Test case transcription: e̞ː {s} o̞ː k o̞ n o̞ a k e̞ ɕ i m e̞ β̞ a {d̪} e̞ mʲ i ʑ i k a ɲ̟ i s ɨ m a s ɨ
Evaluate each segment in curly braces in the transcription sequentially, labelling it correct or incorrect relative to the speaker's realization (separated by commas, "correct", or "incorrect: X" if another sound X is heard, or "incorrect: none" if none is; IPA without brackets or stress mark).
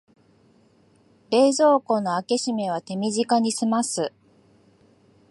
incorrect: z, incorrect: t̪